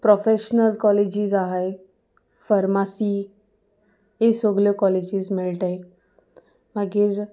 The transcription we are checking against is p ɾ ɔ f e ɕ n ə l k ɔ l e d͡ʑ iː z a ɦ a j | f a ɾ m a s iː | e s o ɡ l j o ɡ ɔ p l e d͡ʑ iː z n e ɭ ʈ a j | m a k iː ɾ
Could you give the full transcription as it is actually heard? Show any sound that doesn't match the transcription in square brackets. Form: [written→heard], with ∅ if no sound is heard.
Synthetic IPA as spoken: p ɾ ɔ f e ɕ n ə l k ɔ l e d͡ʑ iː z a ɦ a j | f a ɾ m a s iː | e s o ɡ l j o [ɡ→k] ɔ [p→∅] l e d͡ʑ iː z [n→m] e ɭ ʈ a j | m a [k→ɡ] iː ɾ